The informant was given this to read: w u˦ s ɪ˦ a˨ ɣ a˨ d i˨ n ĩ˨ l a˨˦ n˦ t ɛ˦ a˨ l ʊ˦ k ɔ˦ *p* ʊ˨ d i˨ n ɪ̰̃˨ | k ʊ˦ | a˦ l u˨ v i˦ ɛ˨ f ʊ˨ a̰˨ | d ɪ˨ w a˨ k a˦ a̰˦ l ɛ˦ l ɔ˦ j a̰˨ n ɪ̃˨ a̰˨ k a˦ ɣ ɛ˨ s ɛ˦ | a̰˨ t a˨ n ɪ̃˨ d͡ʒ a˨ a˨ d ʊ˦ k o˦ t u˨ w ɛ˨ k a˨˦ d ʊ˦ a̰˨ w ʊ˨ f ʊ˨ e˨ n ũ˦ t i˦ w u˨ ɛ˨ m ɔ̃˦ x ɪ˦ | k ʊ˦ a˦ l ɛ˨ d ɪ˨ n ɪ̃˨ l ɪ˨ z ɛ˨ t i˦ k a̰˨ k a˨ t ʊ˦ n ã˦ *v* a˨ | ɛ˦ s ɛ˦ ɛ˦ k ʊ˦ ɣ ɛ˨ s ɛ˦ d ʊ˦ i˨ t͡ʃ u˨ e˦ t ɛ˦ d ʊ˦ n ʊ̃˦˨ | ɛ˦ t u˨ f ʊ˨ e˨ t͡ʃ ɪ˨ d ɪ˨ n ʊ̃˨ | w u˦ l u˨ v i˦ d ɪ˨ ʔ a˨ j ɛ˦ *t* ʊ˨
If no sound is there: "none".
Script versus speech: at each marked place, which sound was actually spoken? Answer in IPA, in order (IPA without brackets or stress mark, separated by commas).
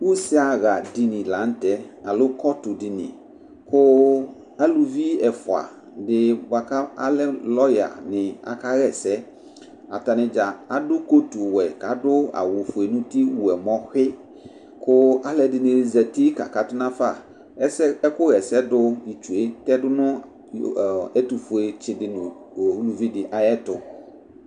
t, f, t